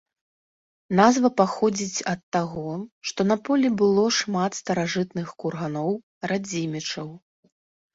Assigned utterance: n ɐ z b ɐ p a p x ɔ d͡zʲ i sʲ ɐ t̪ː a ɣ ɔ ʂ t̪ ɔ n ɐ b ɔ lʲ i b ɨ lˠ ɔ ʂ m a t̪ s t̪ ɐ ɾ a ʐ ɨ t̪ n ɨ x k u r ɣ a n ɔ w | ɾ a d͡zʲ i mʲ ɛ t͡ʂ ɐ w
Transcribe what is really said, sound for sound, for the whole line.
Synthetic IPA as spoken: n a z v ɐ p a x ɔ d͡zʲ i t͡sʲ ɐ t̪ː a ɣ ɔ ʂ t̪ ɔ n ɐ p ɔ lʲ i b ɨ lˠ ɔ ʂ m a t̪ s t̪ ɐ ɾ a ʐ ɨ t̪ n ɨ x k u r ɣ a n ɔ w | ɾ a d͡zʲ i mʲ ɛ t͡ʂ ɐ w